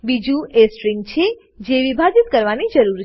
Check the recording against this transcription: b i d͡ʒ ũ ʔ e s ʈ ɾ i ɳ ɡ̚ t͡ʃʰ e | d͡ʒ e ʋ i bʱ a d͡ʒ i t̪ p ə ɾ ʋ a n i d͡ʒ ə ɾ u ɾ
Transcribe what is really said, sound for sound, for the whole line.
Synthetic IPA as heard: b i d͡ʒ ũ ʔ e s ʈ ɾ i ŋ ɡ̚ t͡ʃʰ e | d͡ʒ e ʋ i bʱ a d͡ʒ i t̪ k ə ɾ ʋ a n i d͡ʒ ə ɾ u ɾ